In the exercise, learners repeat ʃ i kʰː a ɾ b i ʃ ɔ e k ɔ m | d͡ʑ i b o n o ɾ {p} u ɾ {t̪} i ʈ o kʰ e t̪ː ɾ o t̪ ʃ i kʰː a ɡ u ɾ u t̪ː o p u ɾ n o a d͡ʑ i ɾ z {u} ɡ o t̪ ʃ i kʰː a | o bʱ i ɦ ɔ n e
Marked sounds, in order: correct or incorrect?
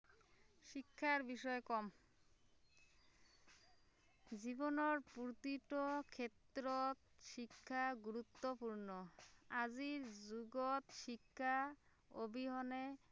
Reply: correct, correct, correct

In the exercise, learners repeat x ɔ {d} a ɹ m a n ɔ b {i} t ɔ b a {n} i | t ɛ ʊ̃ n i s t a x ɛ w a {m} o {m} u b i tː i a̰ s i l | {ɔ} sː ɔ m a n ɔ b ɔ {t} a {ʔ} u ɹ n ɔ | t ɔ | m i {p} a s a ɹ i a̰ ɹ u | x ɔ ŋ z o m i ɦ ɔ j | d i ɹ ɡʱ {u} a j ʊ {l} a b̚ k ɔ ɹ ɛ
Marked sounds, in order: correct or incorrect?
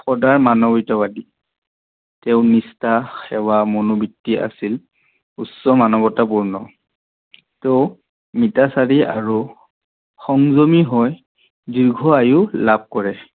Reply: correct, correct, incorrect: d, correct, incorrect: n, incorrect: u, correct, incorrect: p, incorrect: t, incorrect: ɔ, correct

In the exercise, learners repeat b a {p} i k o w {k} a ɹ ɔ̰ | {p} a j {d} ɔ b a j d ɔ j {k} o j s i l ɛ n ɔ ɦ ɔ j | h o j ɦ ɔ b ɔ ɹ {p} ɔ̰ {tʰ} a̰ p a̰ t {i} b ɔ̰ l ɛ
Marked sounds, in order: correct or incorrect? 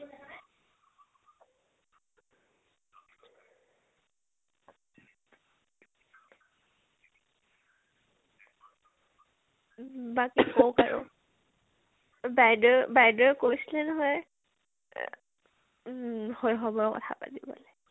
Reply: incorrect: k, correct, incorrect: b, correct, correct, incorrect: k, correct, correct

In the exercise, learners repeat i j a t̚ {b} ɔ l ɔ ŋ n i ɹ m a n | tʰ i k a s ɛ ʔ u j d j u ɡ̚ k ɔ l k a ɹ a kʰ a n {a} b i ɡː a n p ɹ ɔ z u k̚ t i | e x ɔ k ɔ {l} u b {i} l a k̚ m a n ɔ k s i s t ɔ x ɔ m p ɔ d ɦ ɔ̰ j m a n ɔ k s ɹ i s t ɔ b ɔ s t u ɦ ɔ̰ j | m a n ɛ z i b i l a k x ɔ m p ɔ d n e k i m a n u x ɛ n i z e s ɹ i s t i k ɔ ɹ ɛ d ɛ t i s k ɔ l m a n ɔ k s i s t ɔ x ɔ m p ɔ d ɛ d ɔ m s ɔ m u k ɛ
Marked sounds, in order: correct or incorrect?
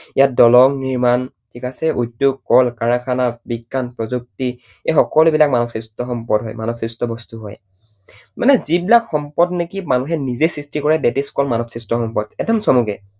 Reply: incorrect: d, correct, correct, correct

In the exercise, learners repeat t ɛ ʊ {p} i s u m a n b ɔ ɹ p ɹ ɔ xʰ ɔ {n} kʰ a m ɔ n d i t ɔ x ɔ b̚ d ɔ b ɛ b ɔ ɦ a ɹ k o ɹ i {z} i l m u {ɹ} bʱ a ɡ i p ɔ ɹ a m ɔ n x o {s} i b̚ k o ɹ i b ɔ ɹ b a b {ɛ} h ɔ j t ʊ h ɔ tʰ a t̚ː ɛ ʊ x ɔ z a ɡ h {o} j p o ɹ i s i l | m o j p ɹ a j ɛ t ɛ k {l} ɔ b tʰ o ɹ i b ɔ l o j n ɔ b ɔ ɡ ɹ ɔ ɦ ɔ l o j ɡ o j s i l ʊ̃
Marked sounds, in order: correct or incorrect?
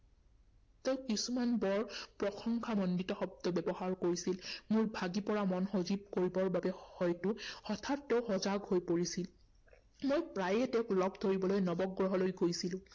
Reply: incorrect: k, incorrect: ŋ, incorrect: s, correct, incorrect: z, correct, correct, correct

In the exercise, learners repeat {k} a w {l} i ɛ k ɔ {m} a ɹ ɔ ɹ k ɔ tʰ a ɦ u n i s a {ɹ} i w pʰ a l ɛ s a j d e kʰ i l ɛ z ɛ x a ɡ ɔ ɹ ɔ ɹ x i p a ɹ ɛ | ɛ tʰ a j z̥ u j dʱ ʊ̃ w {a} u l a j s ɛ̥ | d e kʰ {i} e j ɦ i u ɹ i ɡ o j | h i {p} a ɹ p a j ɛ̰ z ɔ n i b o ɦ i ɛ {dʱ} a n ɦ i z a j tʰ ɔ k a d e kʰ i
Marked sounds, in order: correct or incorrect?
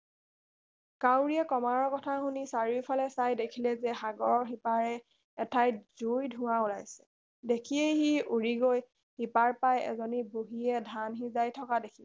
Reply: correct, incorrect: ɹ, correct, correct, correct, correct, correct, correct

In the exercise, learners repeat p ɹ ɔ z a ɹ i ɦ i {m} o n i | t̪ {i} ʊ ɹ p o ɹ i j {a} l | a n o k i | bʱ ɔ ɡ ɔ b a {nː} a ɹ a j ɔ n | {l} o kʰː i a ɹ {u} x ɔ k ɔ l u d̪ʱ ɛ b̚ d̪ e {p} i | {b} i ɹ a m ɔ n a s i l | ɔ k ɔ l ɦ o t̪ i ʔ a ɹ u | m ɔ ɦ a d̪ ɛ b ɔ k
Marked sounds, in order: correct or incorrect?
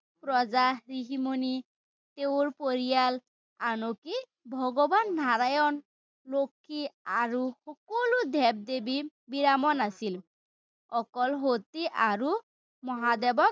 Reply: correct, incorrect: e, correct, correct, correct, correct, incorrect: b, correct

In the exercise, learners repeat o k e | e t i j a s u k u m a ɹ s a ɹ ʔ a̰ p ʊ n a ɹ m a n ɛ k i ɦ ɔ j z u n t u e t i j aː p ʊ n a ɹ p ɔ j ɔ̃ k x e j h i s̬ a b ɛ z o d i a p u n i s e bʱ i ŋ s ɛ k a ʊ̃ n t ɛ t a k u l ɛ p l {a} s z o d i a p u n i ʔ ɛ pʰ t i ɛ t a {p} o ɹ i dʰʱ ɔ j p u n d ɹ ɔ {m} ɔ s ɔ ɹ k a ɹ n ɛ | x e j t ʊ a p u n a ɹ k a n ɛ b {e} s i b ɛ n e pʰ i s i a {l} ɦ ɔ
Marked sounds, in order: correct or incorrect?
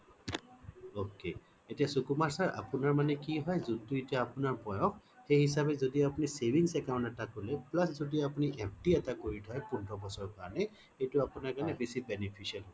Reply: correct, incorrect: k, incorrect: b, correct, correct

